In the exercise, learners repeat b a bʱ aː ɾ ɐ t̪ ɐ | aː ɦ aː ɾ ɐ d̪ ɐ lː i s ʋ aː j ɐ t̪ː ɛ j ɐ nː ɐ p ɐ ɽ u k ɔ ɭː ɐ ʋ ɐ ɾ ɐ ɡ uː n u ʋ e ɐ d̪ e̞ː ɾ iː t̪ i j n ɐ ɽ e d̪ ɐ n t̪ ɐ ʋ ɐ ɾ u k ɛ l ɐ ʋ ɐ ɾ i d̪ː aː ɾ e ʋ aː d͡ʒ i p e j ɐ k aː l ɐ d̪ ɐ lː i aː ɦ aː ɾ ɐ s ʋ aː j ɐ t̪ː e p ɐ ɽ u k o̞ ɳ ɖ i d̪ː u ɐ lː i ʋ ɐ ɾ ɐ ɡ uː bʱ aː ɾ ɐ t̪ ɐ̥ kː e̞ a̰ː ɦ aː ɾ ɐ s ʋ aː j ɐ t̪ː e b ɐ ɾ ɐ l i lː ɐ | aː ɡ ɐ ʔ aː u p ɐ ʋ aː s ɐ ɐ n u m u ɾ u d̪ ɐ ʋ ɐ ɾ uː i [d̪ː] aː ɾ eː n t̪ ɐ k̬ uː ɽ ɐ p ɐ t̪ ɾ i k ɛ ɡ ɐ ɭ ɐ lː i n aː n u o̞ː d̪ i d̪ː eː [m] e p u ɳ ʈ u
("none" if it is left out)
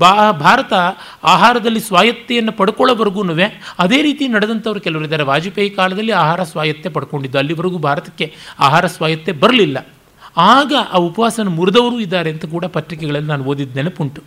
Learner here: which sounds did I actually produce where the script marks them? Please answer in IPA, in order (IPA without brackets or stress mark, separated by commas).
d̪ː, n